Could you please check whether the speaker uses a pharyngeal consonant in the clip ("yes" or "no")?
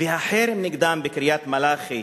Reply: yes